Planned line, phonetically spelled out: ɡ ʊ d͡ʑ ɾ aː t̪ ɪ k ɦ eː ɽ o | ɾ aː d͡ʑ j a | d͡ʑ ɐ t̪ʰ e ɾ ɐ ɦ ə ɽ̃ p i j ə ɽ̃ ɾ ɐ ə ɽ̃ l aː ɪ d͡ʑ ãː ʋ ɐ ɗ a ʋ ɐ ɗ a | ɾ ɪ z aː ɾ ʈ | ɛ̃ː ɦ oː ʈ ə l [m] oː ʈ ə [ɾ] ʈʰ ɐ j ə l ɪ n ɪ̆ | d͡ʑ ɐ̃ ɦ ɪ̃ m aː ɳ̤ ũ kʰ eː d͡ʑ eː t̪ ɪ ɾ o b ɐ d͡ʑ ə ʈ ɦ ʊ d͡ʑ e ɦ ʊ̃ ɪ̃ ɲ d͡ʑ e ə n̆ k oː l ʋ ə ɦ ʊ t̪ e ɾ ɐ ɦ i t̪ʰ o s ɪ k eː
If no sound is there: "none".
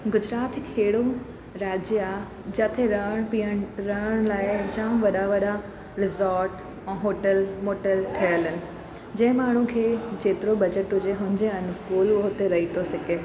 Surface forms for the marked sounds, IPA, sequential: m, l

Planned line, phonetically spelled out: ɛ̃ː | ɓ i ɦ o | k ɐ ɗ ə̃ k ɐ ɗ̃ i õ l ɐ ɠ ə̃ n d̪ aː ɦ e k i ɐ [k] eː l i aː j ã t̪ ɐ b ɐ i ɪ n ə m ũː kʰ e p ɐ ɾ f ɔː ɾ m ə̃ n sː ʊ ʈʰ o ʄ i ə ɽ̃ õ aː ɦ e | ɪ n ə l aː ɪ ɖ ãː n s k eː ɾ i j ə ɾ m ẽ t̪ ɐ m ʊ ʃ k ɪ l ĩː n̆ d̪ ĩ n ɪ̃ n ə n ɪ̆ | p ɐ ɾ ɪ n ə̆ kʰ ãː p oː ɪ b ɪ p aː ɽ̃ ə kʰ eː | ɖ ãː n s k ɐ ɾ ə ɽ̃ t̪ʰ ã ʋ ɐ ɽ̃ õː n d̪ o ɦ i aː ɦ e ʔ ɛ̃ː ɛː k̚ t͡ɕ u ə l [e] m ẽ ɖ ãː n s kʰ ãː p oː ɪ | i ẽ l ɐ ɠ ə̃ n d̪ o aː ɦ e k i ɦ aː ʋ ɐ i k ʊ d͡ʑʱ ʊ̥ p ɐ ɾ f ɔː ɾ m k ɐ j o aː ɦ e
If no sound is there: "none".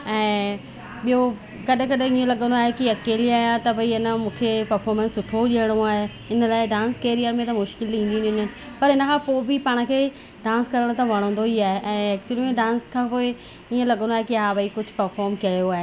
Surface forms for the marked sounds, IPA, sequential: k, i

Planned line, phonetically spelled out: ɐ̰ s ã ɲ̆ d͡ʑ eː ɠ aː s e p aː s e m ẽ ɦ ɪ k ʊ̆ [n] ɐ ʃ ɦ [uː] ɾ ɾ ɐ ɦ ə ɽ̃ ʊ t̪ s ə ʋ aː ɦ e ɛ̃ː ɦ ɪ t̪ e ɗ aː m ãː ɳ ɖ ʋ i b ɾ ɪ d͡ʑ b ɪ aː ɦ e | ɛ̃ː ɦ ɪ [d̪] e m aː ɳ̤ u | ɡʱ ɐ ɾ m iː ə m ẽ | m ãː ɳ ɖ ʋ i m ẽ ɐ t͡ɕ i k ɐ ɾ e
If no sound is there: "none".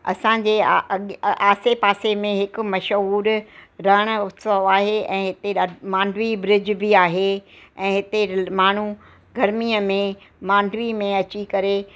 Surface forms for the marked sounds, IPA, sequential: m, uː, t̪

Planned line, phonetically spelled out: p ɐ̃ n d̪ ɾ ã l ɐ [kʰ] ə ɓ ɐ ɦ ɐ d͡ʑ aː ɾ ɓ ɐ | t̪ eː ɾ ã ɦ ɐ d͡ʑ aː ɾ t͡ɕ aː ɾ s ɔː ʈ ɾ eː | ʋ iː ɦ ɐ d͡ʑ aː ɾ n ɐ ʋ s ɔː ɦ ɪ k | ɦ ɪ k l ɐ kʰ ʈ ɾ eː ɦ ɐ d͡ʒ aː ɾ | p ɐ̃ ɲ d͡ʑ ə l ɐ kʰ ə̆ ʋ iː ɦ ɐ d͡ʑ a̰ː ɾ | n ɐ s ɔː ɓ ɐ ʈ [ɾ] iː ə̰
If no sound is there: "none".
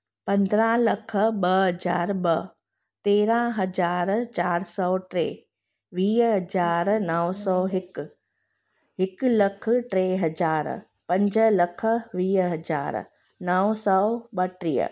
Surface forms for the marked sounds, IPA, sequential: kʰ, ɾ

